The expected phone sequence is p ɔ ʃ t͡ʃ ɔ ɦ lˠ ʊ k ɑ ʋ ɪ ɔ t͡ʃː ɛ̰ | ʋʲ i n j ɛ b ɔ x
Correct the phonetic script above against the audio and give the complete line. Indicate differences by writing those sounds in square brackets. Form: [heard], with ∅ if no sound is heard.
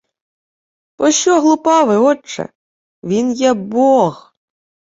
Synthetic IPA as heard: p ɔ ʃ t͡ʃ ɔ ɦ lˠ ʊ [p] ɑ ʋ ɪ ɔ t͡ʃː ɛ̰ | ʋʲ i n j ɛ b ɔ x